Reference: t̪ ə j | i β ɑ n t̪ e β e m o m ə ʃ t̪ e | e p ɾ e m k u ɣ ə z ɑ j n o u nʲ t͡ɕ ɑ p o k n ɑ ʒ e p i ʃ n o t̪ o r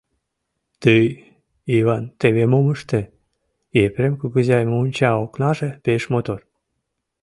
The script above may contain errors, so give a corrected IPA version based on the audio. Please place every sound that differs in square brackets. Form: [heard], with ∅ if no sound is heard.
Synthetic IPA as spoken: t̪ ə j | i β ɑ n t̪ e β e m o m ə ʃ t̪ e | e p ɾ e m k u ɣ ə z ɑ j [m] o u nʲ t͡ɕ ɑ [∅] o k n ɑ ʒ e p [e] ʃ [m] o t̪ o r